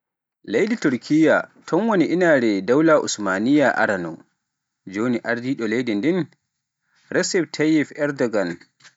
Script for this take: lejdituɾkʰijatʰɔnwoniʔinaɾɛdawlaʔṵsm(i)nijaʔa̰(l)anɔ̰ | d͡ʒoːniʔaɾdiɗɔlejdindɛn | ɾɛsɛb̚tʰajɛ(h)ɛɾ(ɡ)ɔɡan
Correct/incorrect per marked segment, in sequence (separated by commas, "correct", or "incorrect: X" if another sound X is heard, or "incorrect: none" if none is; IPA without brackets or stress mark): incorrect: a, incorrect: ɾ, incorrect: f, incorrect: d